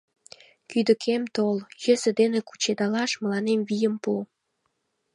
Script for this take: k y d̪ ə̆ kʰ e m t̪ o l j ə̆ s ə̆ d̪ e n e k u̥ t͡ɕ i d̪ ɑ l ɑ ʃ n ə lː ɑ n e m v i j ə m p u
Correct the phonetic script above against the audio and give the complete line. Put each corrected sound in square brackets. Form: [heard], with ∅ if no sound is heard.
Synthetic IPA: k y d̪ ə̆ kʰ e m t̪ o l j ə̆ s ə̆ d̪ e n e k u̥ t͡ɕ [e] d̪ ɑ l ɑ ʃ [m] ə [l] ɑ n e m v i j ə m p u

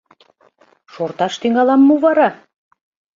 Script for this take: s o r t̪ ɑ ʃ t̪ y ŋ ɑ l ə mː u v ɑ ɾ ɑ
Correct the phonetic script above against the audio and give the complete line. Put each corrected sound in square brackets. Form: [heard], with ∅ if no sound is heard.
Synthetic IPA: [ʃ] o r t̪ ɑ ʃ t̪ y ŋ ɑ l [ɑ] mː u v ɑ ɾ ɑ

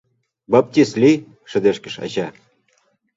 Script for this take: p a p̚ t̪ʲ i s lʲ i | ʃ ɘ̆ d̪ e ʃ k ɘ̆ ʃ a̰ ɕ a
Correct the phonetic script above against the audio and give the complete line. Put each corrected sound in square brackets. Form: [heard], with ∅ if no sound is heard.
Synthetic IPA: [b] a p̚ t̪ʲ i s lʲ i | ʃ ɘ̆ d̪ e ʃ k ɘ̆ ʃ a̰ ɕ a

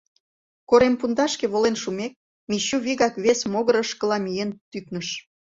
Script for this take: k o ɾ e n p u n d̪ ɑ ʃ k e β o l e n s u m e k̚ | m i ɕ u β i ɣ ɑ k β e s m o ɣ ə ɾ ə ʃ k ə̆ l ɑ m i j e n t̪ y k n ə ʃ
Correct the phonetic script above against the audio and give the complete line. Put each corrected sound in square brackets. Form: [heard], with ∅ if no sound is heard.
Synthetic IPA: k o ɾ e [m] p u n d̪ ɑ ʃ k e β o l e n [ʃ] u m e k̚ | m i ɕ u β i ɣ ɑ k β e s m o ɣ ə ɾ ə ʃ k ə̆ l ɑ m i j e n t̪ y k n ə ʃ

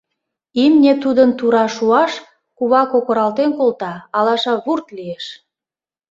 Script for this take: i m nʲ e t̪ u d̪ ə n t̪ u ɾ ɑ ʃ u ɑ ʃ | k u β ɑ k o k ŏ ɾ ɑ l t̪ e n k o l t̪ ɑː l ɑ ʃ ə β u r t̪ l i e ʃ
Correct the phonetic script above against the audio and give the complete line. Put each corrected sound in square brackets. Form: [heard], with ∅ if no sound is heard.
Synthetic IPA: i m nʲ e t̪ u d̪ ə n t̪ u ɾ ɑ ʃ u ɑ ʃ | k u β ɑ k o k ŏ ɾ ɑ l t̪ e n k o l t̪ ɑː l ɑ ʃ [ɑ] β u r t̪ l i e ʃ

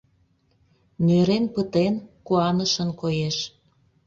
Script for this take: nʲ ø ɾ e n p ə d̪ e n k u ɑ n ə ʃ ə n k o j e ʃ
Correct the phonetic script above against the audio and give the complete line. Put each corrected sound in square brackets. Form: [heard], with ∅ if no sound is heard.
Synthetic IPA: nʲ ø ɾ e n p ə [t̪] e n k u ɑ n ə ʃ ə n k o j e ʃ

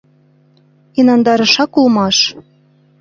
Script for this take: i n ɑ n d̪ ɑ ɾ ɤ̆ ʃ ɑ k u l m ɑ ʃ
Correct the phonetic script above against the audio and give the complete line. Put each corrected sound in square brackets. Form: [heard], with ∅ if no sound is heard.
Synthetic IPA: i n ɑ n d̪ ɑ ɾ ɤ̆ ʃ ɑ k u l m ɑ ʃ

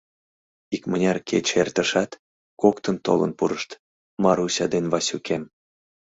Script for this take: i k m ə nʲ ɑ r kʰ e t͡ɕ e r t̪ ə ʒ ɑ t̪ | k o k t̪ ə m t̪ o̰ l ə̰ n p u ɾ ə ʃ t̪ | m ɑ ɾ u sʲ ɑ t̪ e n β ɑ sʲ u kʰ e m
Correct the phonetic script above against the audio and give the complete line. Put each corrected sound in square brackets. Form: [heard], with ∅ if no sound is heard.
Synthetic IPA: i k m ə nʲ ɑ r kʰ e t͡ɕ e r t̪ ə [ʃ] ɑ t̪ | k o k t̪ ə [n] t̪ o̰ l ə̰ n p u ɾ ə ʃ t̪ | m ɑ ɾ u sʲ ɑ [d̪] e n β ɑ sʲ u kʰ e m

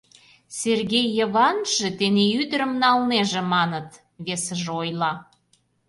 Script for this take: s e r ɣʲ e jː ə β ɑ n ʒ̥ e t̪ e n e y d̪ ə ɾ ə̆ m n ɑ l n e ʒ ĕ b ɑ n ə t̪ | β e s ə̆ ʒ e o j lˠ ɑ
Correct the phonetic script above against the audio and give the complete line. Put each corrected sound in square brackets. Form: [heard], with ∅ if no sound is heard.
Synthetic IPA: s e r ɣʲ e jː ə β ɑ n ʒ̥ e t̪ e n e y d̪ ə ɾ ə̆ m n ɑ l n e ʒ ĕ [m] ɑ n ə t̪ | β e s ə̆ ʒ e o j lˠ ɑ

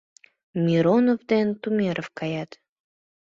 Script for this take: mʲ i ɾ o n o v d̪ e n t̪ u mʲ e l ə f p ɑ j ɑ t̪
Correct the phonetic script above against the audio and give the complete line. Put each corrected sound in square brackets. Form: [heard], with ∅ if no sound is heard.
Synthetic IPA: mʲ i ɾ o n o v d̪ e n t̪ u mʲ e [ɾ] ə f [k] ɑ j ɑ t̪

